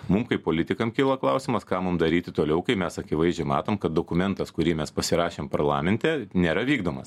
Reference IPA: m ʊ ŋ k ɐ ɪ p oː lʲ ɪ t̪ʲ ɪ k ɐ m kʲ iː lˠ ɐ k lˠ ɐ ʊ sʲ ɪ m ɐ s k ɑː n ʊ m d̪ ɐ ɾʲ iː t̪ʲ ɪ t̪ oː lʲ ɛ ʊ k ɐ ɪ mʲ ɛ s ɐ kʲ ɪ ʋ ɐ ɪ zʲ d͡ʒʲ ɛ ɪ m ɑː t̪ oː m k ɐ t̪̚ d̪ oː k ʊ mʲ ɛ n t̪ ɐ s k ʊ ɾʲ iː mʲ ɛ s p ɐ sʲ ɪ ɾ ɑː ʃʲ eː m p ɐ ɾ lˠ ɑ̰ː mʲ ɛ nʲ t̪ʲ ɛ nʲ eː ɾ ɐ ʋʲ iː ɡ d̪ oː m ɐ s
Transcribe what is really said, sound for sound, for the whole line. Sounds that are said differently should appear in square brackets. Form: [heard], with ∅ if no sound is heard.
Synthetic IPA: m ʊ [m] k ɐ ɪ p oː lʲ ɪ t̪ʲ ɪ k ɐ m kʲ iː lˠ ɐ k lˠ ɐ ʊ sʲ ɪ m ɐ s k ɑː [m] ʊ m d̪ ɐ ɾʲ iː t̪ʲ ɪ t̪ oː lʲ ɛ ʊ k ɐ ɪ mʲ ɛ s ɐ kʲ ɪ ʋ ɐ ɪ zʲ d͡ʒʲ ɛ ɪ m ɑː t̪ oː m k ɐ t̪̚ d̪ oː k ʊ mʲ ɛ n t̪ ɐ s k ʊ ɾʲ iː mʲ ɛ s p ɐ sʲ ɪ ɾ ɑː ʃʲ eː m p ɐ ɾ lˠ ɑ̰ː mʲ ɛ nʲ t̪ʲ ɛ nʲ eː ɾ ɐ ʋʲ iː ɡ d̪ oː m ɐ s